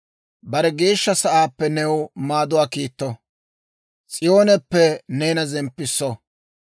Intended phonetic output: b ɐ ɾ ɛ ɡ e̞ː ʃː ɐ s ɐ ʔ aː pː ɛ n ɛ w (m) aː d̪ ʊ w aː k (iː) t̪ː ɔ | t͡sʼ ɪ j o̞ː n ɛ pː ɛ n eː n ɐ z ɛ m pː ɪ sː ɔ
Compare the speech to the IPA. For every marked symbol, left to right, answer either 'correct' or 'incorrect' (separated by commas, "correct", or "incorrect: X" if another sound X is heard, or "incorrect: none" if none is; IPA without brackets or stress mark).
correct, correct